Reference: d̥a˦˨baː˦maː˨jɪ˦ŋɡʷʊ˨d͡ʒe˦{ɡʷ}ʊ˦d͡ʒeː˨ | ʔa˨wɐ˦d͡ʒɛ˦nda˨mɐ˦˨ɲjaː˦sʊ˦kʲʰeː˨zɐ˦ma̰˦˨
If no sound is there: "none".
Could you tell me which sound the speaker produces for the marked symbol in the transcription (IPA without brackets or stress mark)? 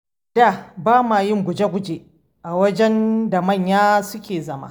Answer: ɡʷ